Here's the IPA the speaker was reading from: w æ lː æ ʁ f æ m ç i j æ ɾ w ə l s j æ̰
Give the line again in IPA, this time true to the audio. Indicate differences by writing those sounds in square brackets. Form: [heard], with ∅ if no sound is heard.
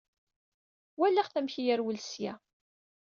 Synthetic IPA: w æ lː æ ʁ [θ] æ m ç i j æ ɾ w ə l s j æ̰